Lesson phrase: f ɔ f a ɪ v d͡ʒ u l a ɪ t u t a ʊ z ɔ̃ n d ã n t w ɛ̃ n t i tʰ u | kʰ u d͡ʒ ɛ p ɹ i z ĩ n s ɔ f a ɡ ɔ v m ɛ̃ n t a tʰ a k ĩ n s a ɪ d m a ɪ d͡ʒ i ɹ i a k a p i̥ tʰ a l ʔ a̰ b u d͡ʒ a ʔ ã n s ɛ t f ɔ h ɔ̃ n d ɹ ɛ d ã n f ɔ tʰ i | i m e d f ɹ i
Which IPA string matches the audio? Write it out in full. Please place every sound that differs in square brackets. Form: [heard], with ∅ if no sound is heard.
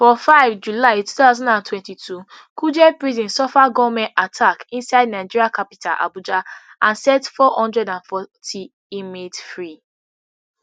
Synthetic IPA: f ɔ f a ɪ v d͡ʒ u l a ɪ t u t a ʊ z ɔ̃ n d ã n t w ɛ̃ n t i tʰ u | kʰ u d͡ʒ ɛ p ɹ i z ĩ n s ɔ f a ɡ ɔ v m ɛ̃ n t a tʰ a k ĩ n s a ɪ d [n] a ɪ d͡ʒ i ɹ i a k a p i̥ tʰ a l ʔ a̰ b u d͡ʒ a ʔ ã n s ɛ t f ɔ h ɔ̃ n d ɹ ɛ d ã n f ɔ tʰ i | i m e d f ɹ i